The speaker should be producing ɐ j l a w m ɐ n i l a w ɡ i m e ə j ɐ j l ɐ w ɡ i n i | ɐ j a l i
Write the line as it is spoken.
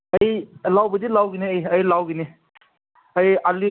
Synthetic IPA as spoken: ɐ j l a w b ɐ d i l a w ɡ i n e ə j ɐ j l a w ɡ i n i | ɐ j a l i

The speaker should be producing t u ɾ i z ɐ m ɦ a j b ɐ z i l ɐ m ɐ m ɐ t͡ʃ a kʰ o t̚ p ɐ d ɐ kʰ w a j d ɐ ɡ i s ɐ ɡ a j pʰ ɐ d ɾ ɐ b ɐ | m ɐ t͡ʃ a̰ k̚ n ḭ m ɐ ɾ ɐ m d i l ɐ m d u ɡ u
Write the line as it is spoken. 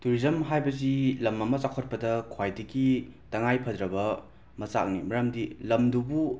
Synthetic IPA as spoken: t u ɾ i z ɐ m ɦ a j b ɐ z i l ɐ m ɐ m ɐ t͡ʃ a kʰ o t̚ p ɐ d ɐ kʰ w a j d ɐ ɡ i t ɐ ŋ a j pʰ ɐ d ɾ ɐ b ɐ | m ɐ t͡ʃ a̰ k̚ n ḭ m ɐ ɾ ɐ m d i l ɐ m d u b u

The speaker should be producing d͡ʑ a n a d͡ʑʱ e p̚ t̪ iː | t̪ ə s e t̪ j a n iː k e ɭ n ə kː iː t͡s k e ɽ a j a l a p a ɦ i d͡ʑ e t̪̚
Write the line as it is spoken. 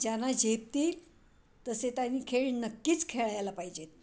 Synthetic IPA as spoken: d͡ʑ a n a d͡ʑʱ e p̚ t̪ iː | t̪ ə s e t̪ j a n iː kʰ e ɭ n ə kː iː t͡s kʰ e ɭ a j a l a p a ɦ i d͡ʑ e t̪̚

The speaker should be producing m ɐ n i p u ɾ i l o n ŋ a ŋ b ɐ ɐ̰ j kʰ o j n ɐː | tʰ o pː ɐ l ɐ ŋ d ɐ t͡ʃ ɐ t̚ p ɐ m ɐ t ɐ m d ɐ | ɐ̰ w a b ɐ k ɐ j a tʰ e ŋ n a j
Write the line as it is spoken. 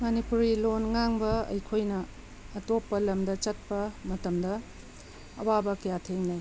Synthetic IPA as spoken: m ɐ n i p u ɾ i l o n ŋ a ŋ b ɐ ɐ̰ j kʰ o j n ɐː | t o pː ɐ l ɐ m d ɐ t͡ʃ ɐ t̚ p ɐ m ɐ t ɐ m d ɐ | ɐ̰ w a b ɐ k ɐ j a tʰ e ŋ n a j

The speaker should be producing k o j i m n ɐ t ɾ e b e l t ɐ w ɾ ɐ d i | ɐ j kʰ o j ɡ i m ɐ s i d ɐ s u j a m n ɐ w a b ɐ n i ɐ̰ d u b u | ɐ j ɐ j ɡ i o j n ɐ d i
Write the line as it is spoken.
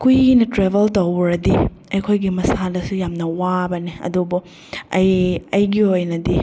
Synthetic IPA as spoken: k u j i n ɐ t ɾ e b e l t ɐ w ɾ ɐ d i | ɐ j kʰ o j ɡ i m ɐ s a d ɐ s u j a m n ɐ w a b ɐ n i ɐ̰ d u b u | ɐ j ɐ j ɡ i o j n ɐ d i

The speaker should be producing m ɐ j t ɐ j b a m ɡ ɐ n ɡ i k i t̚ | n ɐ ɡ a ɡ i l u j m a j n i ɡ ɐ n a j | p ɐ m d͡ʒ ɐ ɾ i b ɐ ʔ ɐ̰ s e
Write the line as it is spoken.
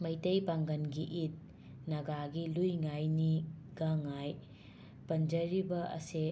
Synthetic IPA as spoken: m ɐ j t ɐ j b a ŋ ɡ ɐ n ɡ i ʔ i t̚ | n ɐ ɡ a ɡ i l u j ŋ a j n i ɡ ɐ ŋ a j | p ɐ n d͡ʒ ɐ ɾ i b ɐ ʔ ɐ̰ s e

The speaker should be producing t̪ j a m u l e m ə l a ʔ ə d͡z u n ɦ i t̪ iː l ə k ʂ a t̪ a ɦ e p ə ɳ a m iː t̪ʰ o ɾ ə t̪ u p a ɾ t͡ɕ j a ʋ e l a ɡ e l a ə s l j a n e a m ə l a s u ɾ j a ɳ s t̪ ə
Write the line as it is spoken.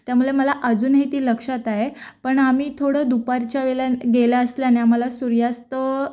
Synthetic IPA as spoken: t̪ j a m u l e m ə l a ʔ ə d͡z uː n ɦ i t̪ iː l ə k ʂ a t̪ a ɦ e p ə ɳ a m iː t̪ʰ o ɽ ə d̪ u p a ɾ t͡ɕ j a ʋ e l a ɡ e l a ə s l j a n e a m ə l a s u ɾ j a s t̪ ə

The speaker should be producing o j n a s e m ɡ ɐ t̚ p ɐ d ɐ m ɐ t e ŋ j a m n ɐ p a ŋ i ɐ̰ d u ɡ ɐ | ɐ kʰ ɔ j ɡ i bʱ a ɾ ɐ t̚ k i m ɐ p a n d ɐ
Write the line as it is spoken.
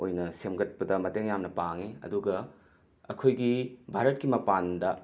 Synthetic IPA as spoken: o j n ɐ s e m ɡ ɐ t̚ p ɐ d ɐ m ɐ t e ŋ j a m n ɐ p a ŋ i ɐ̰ d u ɡ ɐ | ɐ kʰ o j ɡ i bʱ a ɾ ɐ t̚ k i m ɐ p a n d ɐ

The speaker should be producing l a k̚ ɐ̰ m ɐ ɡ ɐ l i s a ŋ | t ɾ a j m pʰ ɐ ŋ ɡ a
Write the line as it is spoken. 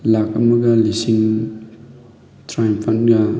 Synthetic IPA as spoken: l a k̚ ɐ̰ m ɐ ɡ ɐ l i s i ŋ | t ɾ a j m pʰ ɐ n ɡ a

